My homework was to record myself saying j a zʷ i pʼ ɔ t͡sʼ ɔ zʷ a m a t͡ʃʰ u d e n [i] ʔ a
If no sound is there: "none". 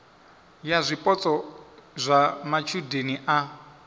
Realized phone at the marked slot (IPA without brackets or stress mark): i